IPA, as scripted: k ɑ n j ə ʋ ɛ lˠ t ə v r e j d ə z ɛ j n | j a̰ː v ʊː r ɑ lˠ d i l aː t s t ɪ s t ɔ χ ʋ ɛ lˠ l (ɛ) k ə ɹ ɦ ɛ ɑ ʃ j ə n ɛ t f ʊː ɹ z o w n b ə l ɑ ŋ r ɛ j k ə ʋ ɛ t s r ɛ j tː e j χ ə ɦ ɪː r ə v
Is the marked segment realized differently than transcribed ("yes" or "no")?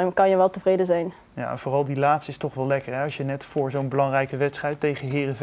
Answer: no